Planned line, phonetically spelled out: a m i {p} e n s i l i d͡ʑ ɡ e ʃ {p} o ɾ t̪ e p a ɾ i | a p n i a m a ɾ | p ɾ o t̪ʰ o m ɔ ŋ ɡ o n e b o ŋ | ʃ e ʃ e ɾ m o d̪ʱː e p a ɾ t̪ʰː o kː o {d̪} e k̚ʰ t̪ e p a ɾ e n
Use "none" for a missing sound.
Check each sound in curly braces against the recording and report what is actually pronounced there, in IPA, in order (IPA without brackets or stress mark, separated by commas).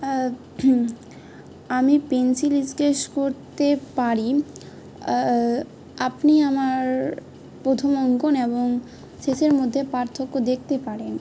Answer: p, k, d̪